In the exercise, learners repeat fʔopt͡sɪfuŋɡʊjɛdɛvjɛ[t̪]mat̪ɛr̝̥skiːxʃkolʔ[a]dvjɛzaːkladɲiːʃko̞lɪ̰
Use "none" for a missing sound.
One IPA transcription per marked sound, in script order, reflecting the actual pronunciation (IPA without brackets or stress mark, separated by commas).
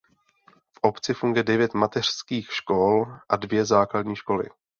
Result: t̪, a